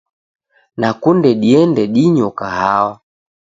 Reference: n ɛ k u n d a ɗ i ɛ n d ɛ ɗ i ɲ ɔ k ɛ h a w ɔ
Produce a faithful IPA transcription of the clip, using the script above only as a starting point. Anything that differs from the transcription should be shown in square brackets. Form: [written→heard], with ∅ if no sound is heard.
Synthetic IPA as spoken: n [ɛ→a] k u n d [a→ɛ] ɗ i ɛ n d ɛ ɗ i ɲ ɔ k [ɛ→a] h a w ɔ